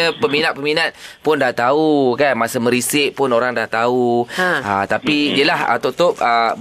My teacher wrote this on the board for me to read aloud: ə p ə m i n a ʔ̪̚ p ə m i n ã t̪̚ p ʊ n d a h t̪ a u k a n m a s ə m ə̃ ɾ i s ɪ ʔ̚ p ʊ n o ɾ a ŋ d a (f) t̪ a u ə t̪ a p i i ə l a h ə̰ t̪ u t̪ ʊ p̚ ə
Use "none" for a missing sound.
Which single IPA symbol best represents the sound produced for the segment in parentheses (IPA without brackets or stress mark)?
h